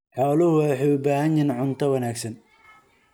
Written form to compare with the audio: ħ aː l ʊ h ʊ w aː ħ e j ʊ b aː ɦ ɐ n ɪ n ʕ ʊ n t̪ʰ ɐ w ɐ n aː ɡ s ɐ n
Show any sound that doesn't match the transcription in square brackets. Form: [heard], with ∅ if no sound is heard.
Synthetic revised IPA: ħ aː l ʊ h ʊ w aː ħ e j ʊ b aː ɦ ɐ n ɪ n ʕ ʊ n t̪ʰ ɐ w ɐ n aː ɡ s ɐ n